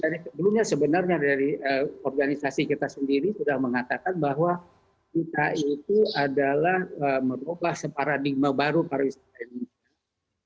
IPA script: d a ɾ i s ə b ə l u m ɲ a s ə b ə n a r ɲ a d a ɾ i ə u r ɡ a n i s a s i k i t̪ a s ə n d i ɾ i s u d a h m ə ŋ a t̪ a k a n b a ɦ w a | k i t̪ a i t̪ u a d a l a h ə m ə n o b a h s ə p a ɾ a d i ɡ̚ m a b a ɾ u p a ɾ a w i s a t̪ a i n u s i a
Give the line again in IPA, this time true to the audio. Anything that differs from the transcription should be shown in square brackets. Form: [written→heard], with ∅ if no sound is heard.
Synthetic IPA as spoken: d a ɾ i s ə b ə l u m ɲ a s ə b ə n a r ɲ a d a ɾ i ə [u→ɔ] r ɡ a n i s a s i k i t̪ a s ə n d i ɾ i s u d a h m ə ŋ a t̪ a k a n b a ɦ w a | k i t̪ a i t̪ u a d a l a h ə m ə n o b a h s ə p a ɾ a d i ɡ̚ m a b a ɾ u p a ɾ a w i s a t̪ a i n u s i a